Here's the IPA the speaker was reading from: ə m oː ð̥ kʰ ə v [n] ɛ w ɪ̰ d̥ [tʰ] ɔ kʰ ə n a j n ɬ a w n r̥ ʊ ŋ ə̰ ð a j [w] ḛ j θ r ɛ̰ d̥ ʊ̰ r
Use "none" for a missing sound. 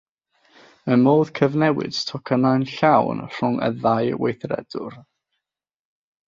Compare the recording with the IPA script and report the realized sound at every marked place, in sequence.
n, tʰ, w

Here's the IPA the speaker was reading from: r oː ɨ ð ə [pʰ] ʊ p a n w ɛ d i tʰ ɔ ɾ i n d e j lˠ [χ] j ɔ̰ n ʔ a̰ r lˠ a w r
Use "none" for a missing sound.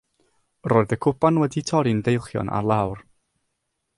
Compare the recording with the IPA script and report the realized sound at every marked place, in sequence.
kʰ, χ

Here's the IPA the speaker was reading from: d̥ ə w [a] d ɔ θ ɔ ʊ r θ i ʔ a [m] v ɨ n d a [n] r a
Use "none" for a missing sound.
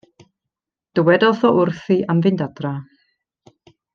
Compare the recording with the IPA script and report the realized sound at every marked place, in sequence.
ɛ, m, d

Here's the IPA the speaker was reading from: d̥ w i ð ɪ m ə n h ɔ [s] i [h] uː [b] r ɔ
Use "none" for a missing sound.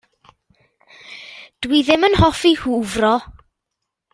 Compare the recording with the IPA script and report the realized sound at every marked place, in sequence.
f, h, v

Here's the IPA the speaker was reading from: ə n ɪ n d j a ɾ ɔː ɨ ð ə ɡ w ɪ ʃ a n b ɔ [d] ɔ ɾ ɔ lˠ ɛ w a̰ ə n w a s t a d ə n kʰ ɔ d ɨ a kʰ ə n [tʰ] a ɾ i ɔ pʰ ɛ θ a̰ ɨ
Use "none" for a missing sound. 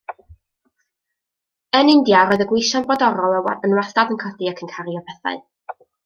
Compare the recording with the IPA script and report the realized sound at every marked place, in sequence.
d, kʰ

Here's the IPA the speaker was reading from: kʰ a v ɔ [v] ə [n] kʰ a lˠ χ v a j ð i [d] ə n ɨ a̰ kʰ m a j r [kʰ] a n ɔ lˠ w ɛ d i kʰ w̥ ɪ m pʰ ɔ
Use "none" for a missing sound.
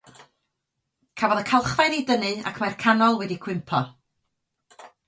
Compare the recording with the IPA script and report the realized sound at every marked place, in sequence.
ð, none, d, kʰ

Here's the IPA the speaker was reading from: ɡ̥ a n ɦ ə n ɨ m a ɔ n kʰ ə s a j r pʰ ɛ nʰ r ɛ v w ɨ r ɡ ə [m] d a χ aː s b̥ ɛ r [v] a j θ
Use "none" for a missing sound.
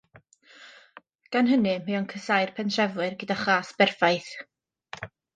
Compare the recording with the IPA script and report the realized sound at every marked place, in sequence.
none, f

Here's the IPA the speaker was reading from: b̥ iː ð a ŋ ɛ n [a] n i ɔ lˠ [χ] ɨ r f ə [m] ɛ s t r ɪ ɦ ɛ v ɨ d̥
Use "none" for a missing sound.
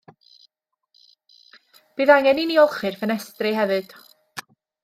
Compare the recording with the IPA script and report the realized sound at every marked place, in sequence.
i, χ, n

